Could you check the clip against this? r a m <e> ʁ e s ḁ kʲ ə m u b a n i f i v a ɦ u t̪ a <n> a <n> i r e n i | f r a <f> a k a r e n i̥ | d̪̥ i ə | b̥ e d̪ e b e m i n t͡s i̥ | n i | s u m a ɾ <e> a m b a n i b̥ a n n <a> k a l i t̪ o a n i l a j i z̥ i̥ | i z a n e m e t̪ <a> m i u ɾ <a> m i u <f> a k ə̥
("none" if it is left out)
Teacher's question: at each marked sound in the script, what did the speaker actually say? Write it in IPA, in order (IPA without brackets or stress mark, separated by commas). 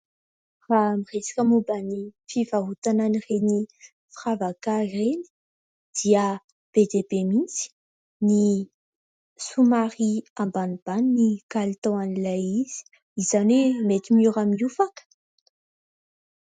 i, n, n, v, i, i, i, a, f